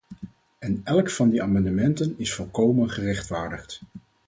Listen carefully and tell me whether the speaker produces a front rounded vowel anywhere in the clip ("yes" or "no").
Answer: no